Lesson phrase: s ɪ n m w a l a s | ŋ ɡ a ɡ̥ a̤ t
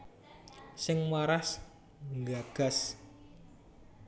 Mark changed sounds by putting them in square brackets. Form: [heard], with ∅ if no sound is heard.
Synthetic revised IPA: s ɪ [ŋ] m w a [ɾ] a s | ŋ ɡ a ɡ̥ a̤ [s]